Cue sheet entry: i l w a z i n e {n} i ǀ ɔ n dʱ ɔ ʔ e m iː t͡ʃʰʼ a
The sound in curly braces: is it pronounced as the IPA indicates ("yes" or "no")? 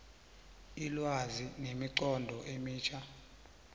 no